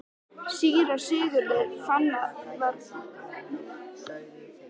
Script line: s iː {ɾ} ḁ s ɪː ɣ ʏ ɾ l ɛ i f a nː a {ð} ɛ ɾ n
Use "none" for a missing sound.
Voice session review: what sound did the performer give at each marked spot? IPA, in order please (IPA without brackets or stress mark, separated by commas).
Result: ɾ, v